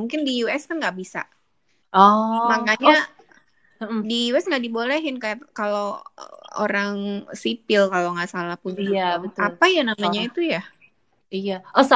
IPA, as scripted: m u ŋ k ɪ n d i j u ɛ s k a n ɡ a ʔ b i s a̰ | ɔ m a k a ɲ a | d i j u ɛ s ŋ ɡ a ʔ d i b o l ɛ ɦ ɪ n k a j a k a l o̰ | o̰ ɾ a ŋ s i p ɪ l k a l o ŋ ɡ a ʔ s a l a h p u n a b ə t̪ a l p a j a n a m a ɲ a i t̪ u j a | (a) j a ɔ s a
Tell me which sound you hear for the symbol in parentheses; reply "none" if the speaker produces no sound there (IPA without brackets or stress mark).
i